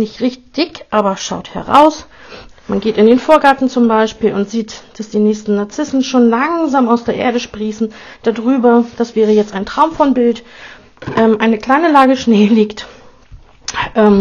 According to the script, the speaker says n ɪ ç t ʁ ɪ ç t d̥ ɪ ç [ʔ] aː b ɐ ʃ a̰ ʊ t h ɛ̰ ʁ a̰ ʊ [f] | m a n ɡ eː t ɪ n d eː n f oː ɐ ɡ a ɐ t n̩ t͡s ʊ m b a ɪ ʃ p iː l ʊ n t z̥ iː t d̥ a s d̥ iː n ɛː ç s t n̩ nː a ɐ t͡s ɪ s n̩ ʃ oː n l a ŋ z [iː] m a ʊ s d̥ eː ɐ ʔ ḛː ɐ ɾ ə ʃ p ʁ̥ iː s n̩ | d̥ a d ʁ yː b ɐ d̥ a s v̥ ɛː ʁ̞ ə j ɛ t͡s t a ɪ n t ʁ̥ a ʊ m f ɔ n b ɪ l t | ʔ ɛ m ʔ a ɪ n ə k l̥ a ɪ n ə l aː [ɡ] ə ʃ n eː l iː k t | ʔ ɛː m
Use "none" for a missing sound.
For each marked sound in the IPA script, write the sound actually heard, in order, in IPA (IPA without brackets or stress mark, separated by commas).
ʔ, s, aː, ɡ